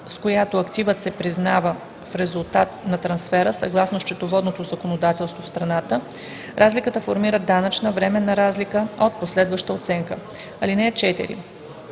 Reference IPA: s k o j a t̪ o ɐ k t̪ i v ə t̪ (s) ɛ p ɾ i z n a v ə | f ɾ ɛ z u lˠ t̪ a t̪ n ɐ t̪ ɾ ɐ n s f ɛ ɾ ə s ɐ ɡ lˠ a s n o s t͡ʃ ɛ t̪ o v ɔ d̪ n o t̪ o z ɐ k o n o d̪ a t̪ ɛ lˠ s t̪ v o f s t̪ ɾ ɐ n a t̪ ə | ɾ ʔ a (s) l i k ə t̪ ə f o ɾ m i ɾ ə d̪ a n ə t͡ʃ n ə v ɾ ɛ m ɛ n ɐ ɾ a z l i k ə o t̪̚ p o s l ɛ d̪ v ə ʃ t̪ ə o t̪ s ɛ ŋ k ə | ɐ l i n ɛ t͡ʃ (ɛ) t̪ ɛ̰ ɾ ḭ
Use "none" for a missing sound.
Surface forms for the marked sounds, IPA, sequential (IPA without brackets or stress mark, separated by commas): s, z, ɛ